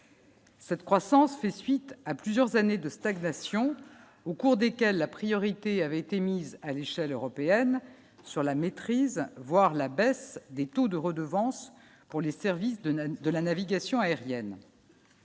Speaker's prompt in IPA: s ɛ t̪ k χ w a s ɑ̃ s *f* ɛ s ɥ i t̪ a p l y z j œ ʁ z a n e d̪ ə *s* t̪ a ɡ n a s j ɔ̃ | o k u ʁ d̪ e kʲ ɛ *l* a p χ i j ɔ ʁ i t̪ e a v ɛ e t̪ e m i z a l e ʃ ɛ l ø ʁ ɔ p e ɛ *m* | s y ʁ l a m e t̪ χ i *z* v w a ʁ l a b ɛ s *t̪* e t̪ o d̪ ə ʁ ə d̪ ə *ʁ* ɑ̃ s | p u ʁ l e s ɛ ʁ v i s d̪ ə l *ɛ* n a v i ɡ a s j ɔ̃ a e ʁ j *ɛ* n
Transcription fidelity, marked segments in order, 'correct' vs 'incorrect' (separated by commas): correct, correct, incorrect, incorrect, correct, incorrect, incorrect, incorrect, correct